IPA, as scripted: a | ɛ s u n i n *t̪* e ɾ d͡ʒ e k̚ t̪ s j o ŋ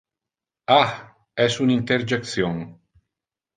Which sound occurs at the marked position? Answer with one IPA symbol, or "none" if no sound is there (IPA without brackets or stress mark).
t̪